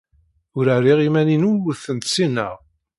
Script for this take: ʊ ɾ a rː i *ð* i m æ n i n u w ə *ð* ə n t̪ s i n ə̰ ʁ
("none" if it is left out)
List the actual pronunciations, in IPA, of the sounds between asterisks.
ʁ, θ

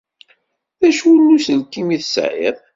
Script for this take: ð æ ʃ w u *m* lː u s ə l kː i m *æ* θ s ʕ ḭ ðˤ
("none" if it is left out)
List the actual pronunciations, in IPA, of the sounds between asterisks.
none, i

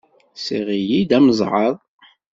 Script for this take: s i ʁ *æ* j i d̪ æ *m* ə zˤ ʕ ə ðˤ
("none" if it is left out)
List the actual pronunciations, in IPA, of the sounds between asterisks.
i, m

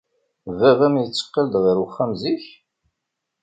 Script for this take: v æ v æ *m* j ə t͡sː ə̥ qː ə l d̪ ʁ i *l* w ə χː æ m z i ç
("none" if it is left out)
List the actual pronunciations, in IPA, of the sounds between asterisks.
m, ɾ

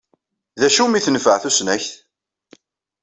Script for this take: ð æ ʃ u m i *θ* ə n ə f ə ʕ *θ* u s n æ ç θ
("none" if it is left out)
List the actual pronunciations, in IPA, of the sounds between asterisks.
θ, θ

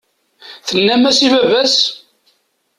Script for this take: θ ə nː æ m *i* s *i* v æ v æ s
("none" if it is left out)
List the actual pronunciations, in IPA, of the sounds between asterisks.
æ, i

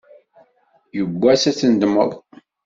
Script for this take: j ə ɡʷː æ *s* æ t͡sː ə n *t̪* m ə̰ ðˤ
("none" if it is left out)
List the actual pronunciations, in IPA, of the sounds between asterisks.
s, d̪

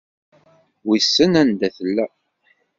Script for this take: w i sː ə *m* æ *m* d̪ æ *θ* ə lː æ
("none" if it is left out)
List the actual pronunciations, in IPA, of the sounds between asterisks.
n, n, θ

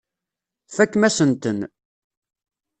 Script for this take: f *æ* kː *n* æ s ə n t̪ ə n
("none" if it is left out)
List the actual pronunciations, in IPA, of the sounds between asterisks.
æ, m

